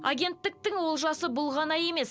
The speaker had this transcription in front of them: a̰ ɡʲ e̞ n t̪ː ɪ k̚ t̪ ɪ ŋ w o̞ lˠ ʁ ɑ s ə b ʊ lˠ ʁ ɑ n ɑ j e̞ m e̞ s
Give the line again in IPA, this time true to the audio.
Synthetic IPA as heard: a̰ ɡʲ e̞ n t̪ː ɪ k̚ t̪ ɪ ŋ w o̞ lˠ ʒ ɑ s ə b ʊ lˠ ʁ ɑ n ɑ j e̞ m e̞ s